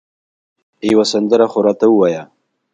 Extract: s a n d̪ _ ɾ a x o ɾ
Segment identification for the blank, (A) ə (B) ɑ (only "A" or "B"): A